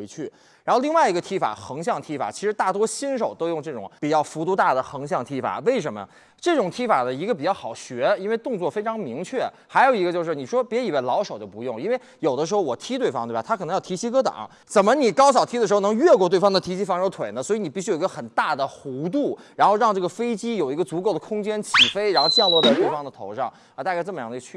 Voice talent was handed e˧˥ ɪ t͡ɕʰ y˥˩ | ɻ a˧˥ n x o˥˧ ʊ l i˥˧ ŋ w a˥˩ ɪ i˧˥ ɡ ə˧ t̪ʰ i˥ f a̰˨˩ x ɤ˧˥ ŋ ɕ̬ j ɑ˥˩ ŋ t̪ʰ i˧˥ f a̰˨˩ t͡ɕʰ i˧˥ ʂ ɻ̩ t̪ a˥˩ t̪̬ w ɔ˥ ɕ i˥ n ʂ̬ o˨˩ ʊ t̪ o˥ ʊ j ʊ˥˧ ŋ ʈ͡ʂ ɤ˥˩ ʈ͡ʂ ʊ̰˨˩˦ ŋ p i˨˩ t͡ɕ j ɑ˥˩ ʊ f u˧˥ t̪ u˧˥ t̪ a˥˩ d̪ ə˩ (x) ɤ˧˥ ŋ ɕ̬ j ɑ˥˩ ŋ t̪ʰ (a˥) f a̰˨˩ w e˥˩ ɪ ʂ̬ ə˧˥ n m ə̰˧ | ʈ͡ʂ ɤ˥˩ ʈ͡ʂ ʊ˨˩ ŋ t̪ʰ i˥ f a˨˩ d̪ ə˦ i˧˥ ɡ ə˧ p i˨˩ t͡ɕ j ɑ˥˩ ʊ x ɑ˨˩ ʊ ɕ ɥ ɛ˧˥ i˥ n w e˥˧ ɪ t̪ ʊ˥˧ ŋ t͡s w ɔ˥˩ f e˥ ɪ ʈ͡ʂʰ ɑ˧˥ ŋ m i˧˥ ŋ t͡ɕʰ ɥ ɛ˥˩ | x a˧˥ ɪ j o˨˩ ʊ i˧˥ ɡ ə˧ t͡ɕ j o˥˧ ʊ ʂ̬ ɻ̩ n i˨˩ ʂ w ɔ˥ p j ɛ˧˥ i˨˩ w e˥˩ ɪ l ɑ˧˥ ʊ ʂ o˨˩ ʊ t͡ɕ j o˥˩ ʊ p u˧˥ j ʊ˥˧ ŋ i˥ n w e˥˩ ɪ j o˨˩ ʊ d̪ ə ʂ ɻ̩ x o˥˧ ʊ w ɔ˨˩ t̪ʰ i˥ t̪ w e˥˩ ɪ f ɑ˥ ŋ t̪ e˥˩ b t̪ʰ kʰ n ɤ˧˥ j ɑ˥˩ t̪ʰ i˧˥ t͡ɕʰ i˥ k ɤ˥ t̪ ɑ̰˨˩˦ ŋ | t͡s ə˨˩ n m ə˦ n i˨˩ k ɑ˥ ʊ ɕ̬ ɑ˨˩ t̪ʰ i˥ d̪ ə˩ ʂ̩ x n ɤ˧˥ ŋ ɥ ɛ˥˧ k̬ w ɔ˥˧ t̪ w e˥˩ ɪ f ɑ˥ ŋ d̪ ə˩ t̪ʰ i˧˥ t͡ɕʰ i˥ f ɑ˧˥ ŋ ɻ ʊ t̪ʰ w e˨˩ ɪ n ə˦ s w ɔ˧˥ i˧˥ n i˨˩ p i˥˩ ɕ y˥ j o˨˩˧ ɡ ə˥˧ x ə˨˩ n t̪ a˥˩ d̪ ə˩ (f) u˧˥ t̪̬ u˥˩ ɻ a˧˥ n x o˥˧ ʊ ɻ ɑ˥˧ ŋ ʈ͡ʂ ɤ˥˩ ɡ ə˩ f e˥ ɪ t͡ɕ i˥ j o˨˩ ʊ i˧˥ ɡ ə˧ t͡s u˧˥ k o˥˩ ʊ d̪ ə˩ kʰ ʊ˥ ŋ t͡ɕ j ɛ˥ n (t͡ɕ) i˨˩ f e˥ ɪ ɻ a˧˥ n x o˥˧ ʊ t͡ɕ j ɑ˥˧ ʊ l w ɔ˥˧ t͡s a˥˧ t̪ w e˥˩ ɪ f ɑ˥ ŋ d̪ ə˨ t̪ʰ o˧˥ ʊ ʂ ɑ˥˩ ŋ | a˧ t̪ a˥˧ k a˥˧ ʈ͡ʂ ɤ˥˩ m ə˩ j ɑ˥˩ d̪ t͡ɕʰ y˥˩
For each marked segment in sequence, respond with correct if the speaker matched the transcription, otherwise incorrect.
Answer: correct, incorrect, incorrect, incorrect

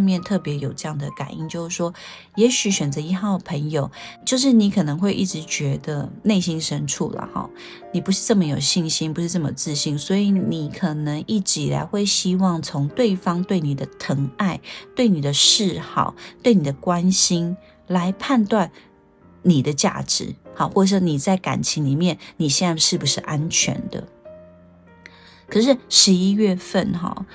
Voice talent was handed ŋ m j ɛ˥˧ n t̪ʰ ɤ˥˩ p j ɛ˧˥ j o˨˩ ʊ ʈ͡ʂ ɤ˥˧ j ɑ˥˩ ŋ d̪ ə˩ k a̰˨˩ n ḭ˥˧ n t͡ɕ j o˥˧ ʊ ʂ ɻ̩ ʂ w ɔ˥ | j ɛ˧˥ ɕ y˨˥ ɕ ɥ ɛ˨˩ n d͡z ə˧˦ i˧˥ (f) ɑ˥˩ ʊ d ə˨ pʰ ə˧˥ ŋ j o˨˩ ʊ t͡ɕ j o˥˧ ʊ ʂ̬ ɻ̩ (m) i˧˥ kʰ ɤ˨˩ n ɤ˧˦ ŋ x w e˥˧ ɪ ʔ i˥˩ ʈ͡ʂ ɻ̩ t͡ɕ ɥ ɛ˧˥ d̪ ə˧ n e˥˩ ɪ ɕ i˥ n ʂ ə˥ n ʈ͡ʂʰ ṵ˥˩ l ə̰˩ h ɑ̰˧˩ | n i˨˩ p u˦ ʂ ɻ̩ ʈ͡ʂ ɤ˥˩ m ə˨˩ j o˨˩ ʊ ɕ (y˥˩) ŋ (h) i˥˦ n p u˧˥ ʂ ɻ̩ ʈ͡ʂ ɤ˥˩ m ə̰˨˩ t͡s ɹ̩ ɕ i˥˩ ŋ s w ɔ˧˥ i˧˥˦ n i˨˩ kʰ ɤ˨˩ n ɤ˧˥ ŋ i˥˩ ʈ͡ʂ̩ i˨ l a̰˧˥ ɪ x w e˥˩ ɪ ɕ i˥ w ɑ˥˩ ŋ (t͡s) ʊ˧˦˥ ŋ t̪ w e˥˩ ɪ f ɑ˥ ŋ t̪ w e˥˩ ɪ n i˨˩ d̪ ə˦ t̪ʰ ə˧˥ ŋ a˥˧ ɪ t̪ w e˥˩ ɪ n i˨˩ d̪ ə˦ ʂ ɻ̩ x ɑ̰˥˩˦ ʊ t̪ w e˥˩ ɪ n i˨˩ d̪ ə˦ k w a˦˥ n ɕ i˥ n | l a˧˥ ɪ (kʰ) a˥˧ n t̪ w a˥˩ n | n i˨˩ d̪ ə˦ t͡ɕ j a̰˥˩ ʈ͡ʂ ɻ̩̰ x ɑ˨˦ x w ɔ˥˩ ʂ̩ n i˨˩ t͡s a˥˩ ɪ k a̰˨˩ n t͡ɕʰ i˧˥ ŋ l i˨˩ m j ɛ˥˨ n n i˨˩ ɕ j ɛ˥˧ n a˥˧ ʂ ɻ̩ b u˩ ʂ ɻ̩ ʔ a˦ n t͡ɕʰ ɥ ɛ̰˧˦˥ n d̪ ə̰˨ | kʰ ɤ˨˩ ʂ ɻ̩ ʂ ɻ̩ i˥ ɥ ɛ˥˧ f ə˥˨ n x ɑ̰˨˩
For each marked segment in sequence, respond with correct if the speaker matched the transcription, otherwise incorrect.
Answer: incorrect, incorrect, incorrect, incorrect, incorrect, incorrect

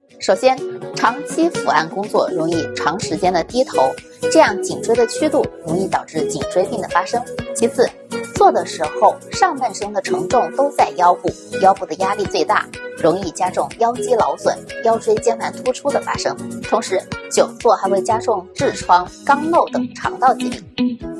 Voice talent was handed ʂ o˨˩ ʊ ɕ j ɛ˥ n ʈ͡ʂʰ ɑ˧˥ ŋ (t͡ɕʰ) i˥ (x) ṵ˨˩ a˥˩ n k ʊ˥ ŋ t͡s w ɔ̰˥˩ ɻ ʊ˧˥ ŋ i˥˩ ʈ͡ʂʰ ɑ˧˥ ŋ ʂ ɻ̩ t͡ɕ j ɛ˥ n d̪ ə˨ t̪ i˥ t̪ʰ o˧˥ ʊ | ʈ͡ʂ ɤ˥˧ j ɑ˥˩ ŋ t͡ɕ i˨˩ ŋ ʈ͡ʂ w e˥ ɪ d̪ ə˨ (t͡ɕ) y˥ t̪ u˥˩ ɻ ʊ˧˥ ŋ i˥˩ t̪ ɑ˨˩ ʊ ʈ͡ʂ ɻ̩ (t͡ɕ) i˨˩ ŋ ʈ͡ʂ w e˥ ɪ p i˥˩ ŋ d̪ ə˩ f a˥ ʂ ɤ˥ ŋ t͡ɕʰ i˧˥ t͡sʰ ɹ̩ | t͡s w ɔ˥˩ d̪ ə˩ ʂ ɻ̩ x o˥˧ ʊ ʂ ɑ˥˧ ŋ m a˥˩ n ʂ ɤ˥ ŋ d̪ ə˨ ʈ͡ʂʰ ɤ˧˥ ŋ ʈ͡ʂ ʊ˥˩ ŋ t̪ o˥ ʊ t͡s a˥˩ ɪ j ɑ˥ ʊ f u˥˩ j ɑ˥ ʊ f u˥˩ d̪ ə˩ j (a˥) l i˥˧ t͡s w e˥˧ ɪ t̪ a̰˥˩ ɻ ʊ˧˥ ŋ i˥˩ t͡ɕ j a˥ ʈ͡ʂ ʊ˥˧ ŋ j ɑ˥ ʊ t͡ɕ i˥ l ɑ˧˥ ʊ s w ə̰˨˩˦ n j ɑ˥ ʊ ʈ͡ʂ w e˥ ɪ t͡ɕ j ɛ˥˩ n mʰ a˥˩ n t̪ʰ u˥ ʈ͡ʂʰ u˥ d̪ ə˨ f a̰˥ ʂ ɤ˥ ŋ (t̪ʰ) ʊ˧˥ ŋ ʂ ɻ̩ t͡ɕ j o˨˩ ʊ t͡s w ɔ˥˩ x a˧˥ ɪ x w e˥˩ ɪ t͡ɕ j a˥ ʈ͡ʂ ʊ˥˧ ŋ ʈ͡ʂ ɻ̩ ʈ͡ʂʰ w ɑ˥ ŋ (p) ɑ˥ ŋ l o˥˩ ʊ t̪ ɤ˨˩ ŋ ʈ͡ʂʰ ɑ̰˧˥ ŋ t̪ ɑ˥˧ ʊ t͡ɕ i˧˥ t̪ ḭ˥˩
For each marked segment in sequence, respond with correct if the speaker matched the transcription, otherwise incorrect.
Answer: correct, incorrect, incorrect, correct, correct, correct, incorrect

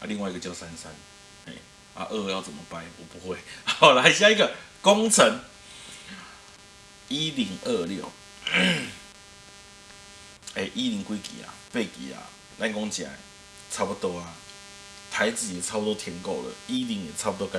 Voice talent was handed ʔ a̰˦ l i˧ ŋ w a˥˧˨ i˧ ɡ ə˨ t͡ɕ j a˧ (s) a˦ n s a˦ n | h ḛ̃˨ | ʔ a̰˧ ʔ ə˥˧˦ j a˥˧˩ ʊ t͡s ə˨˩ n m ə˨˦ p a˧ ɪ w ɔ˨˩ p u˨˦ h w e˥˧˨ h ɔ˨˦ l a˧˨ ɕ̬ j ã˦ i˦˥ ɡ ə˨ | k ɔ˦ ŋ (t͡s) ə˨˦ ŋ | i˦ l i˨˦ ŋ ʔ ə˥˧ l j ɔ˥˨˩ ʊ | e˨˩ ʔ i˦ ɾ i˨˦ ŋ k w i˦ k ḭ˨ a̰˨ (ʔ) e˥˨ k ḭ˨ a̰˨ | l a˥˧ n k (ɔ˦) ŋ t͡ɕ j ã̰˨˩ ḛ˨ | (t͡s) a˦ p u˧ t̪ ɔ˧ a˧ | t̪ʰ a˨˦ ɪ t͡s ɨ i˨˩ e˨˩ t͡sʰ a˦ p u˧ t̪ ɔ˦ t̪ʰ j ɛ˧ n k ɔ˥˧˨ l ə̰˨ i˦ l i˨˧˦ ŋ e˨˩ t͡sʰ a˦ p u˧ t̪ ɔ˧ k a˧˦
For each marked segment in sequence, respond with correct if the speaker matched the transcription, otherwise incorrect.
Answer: correct, incorrect, incorrect, correct, incorrect

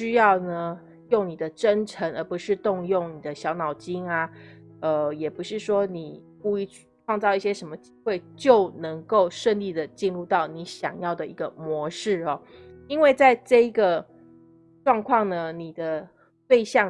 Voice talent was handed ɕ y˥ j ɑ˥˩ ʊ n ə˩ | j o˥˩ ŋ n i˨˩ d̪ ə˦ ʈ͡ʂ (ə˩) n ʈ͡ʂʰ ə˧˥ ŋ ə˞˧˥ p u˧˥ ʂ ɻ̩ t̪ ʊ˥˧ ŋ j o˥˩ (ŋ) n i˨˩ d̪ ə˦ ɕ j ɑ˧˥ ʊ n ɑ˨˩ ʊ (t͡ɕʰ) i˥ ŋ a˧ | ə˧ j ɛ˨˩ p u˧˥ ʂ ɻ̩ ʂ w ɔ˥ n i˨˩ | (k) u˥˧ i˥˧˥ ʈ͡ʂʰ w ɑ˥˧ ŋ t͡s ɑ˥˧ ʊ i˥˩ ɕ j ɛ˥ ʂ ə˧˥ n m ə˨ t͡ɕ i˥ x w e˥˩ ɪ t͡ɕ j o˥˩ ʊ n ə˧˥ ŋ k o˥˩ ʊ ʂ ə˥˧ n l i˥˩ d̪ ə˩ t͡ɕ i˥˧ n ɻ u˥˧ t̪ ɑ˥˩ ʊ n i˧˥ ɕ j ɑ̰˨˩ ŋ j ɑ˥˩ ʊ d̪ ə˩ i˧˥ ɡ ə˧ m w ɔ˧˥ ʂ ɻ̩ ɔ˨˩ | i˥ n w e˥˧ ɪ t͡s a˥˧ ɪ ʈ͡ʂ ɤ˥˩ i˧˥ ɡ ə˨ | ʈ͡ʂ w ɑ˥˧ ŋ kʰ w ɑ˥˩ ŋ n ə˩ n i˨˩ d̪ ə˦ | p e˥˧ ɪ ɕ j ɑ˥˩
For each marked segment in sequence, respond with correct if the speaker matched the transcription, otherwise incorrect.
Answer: incorrect, correct, incorrect, correct

